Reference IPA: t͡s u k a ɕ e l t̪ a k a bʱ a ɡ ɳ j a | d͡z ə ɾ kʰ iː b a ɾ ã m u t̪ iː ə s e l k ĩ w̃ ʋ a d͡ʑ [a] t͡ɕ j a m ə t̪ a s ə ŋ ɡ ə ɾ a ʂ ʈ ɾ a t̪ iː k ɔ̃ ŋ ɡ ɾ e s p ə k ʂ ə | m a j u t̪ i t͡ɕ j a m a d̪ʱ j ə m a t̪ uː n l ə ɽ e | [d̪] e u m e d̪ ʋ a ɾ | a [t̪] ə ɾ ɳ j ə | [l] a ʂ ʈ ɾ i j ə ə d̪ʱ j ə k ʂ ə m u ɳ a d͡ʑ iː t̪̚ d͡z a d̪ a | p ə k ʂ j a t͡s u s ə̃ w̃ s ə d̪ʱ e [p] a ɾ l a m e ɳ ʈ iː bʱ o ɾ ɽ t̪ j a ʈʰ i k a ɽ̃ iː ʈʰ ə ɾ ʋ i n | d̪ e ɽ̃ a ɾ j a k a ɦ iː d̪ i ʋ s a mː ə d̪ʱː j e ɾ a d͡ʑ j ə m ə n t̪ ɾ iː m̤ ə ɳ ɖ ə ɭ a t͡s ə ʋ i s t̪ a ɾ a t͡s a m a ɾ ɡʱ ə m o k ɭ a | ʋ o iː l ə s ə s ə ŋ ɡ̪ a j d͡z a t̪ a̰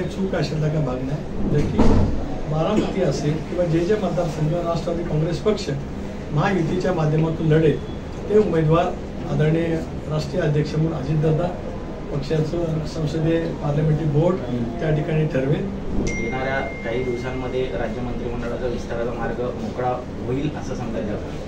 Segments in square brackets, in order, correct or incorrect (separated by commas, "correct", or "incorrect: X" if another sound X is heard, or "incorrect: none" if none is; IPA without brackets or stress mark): incorrect: e, incorrect: t̪, incorrect: d̪, incorrect: ɾ, correct